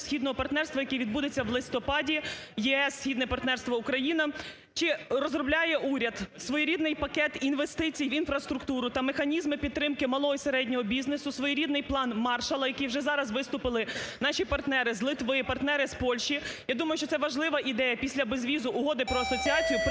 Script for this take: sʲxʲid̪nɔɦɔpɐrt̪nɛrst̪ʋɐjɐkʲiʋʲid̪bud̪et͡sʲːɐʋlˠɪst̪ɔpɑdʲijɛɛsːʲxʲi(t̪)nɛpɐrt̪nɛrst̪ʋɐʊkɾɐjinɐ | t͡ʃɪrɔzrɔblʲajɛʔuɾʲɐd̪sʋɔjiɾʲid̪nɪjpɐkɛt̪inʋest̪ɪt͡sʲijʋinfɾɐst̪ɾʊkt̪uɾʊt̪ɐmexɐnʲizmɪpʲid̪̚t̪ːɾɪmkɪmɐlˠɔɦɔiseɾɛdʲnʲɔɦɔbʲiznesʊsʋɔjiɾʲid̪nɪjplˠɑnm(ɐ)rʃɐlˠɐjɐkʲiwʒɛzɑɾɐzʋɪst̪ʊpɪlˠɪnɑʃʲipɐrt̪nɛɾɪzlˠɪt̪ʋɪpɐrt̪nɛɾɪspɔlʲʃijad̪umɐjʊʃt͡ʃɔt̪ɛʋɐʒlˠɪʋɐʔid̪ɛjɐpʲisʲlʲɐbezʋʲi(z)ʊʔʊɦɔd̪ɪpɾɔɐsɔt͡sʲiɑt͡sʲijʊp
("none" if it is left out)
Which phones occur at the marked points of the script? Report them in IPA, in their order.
d̪, ɑ, z

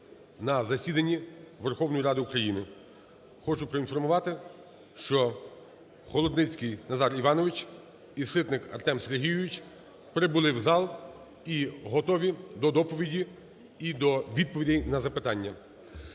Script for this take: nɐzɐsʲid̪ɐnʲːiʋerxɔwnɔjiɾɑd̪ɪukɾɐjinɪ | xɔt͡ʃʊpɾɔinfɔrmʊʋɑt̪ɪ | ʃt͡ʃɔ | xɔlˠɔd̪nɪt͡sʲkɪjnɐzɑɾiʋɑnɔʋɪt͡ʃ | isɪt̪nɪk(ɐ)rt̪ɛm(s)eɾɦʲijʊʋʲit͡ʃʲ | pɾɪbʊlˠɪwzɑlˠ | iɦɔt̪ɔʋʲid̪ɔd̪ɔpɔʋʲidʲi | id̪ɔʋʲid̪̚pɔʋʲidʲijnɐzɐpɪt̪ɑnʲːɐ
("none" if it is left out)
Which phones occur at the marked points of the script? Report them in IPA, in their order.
ɐ, s

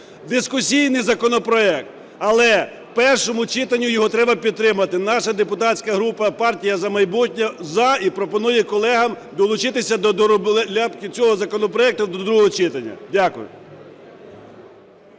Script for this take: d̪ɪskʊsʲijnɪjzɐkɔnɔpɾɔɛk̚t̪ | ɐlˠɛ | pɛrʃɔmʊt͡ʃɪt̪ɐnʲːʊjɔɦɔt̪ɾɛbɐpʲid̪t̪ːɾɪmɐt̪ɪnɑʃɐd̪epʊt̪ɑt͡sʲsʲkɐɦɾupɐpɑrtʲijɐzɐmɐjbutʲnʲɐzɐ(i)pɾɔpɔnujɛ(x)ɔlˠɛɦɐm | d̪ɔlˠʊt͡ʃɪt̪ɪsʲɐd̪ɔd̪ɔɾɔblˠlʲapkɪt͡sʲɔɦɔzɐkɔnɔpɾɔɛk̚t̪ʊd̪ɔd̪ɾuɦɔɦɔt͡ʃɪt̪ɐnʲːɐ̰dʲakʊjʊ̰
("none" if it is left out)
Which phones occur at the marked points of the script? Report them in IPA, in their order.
i, k

